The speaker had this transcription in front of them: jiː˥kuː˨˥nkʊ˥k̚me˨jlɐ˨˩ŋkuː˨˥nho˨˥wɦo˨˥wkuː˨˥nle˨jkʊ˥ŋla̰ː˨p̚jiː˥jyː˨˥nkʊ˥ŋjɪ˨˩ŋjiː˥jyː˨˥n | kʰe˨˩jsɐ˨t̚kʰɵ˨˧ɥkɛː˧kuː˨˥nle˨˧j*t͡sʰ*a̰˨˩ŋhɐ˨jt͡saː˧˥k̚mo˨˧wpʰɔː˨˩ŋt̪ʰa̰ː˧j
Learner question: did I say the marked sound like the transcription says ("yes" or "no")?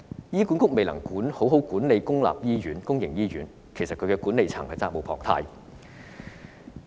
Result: yes